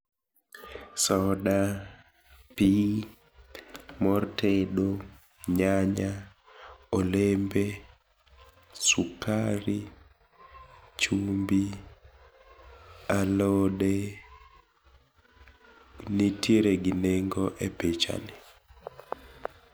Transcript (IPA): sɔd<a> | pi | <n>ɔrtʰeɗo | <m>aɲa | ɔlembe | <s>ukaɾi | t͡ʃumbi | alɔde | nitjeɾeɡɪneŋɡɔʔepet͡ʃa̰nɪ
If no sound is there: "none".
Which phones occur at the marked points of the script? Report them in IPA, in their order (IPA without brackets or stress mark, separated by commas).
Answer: a, m, ɲ, s